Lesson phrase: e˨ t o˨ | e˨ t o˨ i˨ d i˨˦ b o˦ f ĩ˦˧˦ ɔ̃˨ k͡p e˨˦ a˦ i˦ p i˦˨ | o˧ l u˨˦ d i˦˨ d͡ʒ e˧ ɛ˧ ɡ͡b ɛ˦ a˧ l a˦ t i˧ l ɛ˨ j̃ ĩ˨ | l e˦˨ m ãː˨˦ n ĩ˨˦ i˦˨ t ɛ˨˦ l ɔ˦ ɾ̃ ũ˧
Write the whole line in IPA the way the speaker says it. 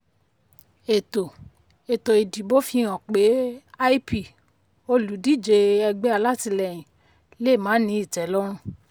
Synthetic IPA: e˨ t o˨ | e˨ t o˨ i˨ d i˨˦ b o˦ f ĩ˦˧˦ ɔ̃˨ k͡p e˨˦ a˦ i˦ p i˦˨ | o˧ l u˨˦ d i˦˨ d͡ʒ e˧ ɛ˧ ɡ͡b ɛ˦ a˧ l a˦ t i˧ l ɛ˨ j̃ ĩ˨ | l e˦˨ m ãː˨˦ n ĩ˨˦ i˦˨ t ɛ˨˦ l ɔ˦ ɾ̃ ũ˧